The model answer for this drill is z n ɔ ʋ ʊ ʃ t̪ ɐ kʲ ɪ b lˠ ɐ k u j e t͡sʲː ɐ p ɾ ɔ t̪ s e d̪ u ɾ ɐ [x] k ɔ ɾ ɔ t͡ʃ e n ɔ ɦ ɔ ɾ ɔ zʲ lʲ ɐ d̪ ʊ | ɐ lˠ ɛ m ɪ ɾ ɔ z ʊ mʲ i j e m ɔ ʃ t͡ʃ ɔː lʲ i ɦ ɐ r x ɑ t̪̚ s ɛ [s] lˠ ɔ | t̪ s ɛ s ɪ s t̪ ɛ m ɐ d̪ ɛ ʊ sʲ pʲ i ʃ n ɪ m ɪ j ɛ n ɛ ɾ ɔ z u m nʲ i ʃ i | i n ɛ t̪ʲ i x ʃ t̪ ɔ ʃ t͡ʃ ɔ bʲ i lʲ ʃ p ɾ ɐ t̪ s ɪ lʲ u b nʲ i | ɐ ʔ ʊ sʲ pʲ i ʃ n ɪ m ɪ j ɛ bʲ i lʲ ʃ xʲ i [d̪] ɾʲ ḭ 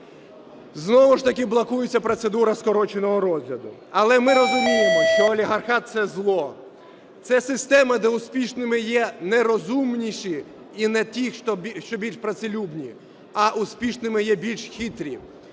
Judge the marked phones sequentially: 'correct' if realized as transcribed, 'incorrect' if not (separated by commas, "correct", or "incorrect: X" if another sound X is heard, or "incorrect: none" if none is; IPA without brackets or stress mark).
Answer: incorrect: s, incorrect: z, incorrect: t̪